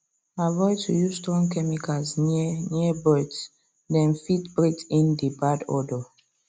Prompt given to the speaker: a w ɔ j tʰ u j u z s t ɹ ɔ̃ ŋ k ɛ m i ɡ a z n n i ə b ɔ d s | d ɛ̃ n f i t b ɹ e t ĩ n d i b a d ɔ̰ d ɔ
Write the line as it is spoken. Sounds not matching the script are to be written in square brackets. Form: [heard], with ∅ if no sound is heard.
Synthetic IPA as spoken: a [v] ɔ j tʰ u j u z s t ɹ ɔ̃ ŋ k ɛ m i [k] a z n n i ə b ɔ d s | d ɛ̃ n f i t b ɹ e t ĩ n d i b a d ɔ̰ d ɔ